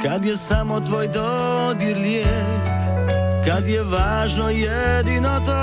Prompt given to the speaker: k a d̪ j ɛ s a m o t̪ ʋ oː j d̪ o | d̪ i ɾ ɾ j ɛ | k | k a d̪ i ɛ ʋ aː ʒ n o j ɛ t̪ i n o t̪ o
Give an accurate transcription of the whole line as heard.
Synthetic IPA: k a d̪ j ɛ s a m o t̪ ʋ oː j d̪ o | d̪ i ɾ l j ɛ | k | k a d̪ j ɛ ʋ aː ʒ n o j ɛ d̪ i n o t̪ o